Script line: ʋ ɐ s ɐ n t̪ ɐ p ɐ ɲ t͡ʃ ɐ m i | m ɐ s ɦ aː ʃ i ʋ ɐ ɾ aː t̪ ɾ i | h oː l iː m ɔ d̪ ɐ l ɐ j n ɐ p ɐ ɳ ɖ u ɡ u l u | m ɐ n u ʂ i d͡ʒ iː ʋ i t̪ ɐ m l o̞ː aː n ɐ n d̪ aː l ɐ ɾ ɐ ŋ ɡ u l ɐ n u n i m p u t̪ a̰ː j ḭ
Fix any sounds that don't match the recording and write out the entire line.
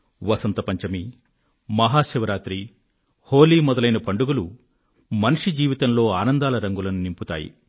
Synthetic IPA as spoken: ʋ ɐ s ɐ n t̪ ɐ p ɐ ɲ t͡ʃ ɐ m i | m ɐ ɦ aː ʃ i ʋ ɐ ɾ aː t̪ ɾ i | h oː l iː m ɔ d̪ ɐ l ɐ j n ɐ p ɐ ɳ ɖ u ɡ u l u | m ɐ n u ʂ i d͡ʒ iː ʋ i t̪ ɐ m l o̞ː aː n ɐ n d̪ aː l ɐ ɾ ɐ ŋ ɡ u l ɐ n u n i m p u t̪ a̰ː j ḭ